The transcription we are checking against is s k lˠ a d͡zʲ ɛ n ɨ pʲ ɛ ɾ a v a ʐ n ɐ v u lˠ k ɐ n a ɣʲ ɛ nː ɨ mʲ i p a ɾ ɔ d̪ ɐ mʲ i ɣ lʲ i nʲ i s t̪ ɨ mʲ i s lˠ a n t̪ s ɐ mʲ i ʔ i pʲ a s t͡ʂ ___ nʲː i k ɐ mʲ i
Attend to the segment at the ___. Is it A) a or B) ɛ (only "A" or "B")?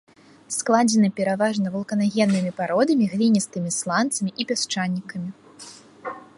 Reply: A